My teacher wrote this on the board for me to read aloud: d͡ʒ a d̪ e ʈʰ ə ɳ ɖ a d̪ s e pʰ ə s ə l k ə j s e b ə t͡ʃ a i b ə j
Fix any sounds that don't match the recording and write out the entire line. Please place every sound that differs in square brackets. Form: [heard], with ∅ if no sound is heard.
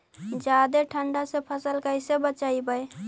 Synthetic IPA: d͡ʒ a d̪ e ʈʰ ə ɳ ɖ a [∅] s e pʰ ə s ə l k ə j s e b ə t͡ʃ a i b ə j